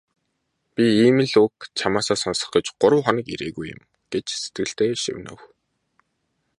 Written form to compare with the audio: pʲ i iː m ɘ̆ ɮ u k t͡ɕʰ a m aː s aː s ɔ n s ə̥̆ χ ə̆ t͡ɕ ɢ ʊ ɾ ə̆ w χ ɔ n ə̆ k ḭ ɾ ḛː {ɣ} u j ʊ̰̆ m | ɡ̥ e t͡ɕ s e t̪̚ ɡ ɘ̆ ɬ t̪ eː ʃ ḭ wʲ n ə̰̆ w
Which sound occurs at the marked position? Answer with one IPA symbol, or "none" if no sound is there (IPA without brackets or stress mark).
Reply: ɣ